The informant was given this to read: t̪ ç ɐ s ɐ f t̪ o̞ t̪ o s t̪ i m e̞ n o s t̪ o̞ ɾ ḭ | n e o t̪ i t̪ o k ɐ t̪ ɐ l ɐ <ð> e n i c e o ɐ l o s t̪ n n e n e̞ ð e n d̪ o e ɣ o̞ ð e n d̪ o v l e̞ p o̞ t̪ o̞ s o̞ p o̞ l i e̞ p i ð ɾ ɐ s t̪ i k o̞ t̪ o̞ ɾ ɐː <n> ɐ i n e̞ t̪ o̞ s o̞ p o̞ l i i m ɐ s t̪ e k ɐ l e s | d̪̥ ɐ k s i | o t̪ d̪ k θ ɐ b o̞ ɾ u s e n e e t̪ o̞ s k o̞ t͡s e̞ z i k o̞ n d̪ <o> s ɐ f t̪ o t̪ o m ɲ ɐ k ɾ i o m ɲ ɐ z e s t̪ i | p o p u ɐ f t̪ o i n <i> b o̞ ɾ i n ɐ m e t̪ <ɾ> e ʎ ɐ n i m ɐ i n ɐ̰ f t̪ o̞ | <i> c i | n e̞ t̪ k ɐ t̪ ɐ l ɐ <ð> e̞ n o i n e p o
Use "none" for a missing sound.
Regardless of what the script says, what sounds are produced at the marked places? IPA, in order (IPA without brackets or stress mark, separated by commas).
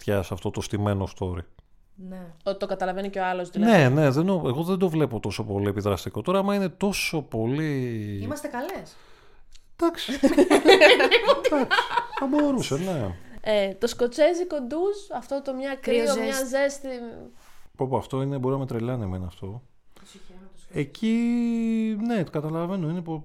v, m, u, e, ɾ, e, v